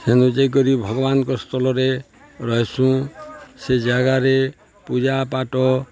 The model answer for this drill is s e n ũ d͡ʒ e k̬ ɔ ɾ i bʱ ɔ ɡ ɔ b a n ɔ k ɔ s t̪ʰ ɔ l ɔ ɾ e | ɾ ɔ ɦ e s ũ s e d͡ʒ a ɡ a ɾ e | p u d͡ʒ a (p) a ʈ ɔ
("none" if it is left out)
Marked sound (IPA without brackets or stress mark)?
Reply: p